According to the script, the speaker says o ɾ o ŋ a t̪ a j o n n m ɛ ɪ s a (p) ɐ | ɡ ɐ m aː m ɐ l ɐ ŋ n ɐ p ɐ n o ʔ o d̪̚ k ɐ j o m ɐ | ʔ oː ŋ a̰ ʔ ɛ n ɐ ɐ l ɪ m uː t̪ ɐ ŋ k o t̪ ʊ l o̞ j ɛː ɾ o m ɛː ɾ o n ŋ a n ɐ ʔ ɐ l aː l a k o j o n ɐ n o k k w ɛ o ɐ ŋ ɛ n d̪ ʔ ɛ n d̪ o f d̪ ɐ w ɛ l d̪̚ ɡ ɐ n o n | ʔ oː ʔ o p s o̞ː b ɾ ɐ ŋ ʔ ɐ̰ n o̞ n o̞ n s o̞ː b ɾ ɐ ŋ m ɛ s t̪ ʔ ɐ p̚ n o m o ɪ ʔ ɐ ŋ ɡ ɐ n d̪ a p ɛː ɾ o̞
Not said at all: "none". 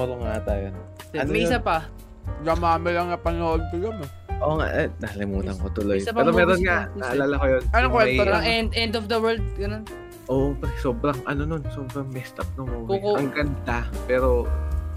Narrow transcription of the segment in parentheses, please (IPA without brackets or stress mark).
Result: p